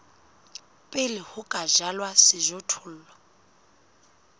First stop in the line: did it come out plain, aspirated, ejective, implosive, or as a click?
ejective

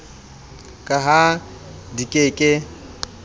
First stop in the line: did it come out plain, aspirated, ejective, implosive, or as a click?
ejective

